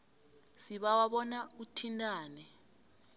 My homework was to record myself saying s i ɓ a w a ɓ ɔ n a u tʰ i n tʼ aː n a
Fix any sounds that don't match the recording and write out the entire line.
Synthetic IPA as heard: s i ɓ a w a ɓ ɔ n a u tʰ i n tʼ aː n ɛ